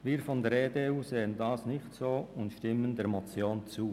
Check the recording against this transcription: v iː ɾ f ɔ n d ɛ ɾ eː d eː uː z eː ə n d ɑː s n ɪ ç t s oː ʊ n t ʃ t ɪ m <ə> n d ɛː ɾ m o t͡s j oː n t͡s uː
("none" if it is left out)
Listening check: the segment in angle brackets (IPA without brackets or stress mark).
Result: ə